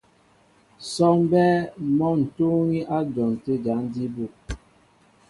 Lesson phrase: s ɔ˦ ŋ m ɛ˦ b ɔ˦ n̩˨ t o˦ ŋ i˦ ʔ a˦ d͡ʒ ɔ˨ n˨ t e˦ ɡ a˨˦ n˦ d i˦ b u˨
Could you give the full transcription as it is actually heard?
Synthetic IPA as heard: s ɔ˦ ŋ b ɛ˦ m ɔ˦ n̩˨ t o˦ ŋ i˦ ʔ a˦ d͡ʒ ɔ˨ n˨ t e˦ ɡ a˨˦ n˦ d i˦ b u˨